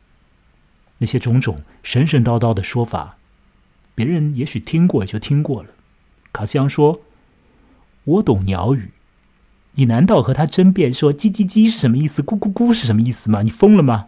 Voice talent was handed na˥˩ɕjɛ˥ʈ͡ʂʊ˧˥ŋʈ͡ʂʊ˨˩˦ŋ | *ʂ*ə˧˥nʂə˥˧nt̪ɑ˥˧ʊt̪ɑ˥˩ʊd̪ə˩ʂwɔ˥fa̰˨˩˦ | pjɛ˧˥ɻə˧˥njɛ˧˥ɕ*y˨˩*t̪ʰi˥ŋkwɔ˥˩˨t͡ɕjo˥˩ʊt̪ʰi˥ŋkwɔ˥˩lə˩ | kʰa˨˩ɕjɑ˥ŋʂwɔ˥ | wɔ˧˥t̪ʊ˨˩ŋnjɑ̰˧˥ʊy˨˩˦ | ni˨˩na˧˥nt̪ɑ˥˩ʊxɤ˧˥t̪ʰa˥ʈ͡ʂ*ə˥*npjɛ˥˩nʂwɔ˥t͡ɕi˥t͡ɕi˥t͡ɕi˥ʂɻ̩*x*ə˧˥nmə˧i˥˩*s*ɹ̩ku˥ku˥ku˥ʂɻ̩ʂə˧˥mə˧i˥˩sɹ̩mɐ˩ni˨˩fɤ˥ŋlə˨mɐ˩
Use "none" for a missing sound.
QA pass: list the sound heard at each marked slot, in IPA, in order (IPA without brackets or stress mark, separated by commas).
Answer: ʂ, y˨˩, ə˥, ʂ, s